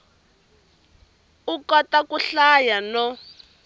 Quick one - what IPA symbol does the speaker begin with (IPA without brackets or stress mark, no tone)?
u